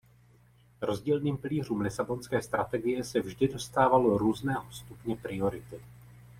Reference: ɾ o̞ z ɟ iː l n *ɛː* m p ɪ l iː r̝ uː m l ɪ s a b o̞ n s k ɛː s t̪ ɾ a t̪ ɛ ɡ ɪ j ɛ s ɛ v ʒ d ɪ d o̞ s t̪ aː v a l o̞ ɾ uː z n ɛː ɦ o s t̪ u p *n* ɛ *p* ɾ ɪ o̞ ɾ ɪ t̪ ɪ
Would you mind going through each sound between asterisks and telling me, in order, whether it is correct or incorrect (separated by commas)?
incorrect, incorrect, correct